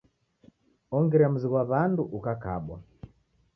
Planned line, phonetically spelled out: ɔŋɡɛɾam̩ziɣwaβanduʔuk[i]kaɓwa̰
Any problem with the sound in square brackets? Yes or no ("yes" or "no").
yes